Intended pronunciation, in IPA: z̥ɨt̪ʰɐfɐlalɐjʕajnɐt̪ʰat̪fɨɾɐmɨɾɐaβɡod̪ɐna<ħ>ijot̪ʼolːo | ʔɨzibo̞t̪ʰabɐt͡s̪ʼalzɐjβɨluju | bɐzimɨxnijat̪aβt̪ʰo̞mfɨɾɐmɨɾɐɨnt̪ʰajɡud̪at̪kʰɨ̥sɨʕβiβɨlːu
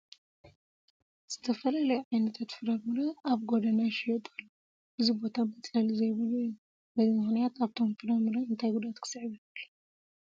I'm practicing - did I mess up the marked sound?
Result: yes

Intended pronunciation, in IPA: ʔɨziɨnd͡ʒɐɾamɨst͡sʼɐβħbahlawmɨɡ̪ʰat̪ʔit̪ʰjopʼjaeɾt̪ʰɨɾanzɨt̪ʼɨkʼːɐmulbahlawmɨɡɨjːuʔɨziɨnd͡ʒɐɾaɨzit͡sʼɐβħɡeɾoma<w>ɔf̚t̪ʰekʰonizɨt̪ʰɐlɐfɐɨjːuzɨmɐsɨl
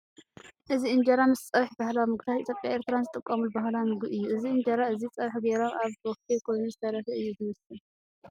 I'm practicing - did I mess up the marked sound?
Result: yes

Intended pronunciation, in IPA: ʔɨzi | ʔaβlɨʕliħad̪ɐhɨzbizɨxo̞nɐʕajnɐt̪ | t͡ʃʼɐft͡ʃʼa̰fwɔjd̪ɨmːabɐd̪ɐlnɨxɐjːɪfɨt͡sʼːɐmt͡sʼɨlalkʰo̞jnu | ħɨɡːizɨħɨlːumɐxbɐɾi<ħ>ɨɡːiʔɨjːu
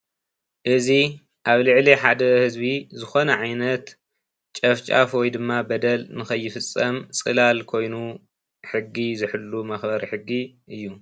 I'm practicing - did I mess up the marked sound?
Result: no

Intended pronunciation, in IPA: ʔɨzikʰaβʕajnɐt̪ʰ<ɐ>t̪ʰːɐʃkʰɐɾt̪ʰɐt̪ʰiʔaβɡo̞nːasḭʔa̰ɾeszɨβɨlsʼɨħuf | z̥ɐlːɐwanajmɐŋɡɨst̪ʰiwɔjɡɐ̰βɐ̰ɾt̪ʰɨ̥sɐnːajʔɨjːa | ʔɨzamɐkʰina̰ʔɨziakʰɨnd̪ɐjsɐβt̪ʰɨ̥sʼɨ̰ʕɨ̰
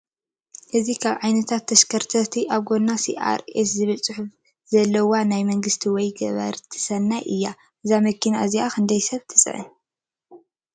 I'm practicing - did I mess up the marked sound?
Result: yes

